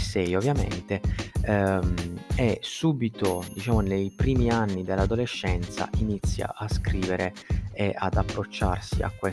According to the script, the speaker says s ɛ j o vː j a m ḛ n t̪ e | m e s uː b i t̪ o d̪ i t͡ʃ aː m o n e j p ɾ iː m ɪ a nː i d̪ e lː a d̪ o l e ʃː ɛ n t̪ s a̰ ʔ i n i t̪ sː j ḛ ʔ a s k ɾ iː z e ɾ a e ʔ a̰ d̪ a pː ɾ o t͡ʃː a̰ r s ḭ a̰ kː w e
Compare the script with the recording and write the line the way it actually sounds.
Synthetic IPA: s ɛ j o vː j a m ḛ n t̪ e | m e s uː b i t̪ o d̪ i t͡ʃ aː m o n e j p ɾ iː m i a nː i d̪ e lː a d̪ o l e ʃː ɛ n t̪ s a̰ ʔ i n i t̪ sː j a̰ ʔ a s k ɾ iː v e ɾ e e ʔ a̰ d̪ a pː ɾ o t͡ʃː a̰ r s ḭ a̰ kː w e